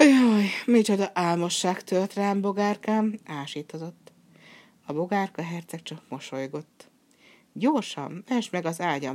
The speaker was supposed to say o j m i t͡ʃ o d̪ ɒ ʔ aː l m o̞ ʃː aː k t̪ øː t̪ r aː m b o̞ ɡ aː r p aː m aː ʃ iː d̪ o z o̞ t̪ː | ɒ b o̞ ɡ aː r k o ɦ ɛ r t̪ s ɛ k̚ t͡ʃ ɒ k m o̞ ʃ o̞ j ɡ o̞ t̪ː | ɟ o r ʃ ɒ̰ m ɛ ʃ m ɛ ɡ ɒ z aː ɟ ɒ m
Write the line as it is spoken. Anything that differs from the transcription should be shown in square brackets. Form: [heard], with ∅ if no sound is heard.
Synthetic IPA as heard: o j m i t͡ʃ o d̪ ɒ ʔ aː l m o̞ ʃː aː k t̪ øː t̪ r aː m b o̞ ɡ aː r [k] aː m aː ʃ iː [t̪] o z o̞ t̪ː | ɒ b o̞ ɡ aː r k [ɒ] ɦ ɛ r t̪ s ɛ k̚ t͡ʃ ɒ k m o̞ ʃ o̞ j ɡ o̞ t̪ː | ɟ o r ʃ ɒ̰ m ɛ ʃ m ɛ ɡ ɒ z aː ɟ ɒ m